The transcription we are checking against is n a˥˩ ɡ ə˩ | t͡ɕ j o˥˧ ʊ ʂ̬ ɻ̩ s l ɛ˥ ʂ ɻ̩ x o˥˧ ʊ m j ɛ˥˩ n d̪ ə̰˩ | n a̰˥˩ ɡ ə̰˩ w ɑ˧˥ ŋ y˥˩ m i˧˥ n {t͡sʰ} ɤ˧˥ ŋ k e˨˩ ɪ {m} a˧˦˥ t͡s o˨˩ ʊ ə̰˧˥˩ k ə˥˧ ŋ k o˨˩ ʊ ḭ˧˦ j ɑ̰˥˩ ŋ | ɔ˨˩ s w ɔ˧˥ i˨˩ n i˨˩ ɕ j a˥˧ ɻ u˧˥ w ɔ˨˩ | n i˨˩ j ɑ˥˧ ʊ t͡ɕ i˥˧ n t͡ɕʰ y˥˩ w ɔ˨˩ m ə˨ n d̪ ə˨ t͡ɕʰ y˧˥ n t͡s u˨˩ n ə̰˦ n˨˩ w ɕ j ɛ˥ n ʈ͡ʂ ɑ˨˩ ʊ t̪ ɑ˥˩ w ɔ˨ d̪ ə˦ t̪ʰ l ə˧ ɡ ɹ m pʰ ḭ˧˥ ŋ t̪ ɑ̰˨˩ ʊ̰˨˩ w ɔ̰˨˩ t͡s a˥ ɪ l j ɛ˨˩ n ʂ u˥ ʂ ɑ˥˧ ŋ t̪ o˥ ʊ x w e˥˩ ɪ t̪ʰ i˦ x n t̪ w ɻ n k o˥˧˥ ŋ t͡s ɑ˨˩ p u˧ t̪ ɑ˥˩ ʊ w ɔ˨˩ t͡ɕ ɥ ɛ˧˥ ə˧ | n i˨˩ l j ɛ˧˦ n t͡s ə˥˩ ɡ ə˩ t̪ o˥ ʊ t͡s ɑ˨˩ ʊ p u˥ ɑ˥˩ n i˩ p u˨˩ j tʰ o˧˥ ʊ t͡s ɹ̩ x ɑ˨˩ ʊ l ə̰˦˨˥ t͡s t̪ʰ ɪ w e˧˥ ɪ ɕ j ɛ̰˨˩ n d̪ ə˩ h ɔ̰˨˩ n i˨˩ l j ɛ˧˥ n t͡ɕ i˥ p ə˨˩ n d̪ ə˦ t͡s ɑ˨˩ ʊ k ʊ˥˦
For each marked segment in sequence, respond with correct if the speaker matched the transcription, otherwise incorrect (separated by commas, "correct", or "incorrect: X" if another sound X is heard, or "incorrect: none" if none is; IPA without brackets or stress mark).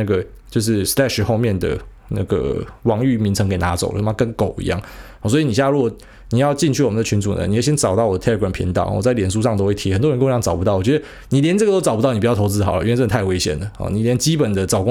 correct, incorrect: n